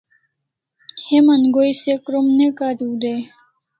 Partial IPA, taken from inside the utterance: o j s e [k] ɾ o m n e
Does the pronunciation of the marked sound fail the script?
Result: no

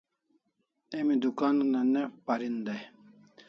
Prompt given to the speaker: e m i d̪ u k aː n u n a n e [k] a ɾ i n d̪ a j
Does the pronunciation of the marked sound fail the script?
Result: yes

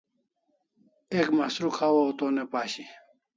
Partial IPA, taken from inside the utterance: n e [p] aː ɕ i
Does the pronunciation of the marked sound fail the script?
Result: no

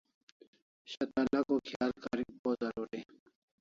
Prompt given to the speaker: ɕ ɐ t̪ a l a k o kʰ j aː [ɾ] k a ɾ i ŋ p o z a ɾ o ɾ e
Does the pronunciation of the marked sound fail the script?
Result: yes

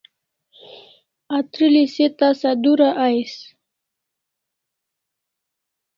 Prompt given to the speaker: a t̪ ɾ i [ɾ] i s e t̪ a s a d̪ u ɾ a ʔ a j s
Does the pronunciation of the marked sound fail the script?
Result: yes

